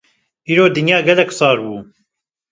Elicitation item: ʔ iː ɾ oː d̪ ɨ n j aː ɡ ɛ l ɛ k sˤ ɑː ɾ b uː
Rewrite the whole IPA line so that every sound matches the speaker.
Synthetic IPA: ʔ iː ɾ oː d̪ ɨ n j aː ɡ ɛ l ɛ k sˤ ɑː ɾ b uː